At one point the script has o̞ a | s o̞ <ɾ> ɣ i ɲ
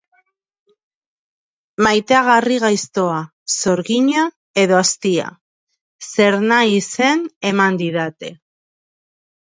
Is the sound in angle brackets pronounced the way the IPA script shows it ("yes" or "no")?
yes